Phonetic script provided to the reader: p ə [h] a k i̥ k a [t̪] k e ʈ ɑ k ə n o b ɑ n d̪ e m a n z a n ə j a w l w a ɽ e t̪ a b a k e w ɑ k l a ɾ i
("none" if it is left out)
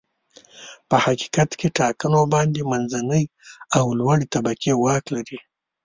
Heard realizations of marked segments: h, t̪

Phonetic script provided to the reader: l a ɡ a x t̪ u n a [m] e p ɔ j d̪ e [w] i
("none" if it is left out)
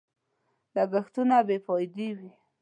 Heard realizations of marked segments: b, w

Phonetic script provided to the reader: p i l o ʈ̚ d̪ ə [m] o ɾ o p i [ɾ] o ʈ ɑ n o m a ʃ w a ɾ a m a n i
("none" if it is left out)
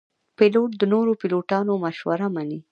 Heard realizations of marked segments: n, l

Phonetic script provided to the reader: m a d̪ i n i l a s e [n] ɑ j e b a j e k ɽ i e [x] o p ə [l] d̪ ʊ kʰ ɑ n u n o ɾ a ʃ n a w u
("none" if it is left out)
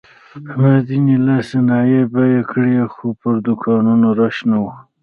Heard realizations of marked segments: n, x, ɾ

